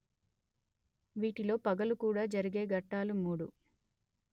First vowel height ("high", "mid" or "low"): high